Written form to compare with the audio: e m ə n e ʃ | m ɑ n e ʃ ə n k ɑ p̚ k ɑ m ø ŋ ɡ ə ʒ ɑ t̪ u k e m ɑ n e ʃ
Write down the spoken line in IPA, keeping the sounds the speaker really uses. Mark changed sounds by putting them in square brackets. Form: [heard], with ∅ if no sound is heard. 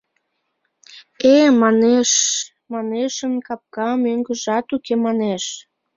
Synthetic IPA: e m [ɑ] n e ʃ | m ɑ n e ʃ ə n k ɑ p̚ k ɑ m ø ŋ ɡ ə ʒ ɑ t̪ u k e m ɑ n e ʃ